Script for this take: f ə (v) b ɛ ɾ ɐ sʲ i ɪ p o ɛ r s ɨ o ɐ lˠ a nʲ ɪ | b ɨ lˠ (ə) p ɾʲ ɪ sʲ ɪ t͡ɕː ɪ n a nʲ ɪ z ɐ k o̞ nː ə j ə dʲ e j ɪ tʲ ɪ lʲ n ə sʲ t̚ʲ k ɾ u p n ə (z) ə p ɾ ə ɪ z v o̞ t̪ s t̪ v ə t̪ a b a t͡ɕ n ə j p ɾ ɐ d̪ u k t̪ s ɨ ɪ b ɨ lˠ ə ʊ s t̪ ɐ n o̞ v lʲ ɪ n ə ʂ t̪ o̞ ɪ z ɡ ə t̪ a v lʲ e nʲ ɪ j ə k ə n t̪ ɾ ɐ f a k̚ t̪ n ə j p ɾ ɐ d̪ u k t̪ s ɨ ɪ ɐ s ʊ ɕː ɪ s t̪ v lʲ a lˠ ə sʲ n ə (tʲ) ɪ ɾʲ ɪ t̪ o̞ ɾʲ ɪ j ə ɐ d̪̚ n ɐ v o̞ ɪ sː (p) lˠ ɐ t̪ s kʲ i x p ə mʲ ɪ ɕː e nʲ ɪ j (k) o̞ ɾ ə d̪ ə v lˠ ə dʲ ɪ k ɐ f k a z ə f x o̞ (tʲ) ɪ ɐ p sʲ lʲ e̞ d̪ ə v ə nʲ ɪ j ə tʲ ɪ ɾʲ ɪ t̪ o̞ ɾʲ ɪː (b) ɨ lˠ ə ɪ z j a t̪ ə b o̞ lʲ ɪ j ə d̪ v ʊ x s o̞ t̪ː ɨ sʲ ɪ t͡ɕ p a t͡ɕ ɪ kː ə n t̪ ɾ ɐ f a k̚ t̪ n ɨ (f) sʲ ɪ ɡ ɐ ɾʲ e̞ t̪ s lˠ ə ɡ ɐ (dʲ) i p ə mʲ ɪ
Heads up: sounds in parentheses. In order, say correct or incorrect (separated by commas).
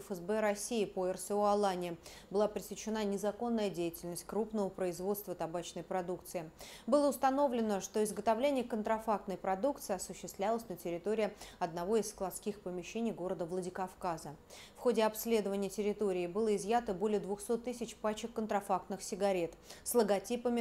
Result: incorrect, incorrect, incorrect, correct, incorrect, incorrect, incorrect, correct, incorrect, incorrect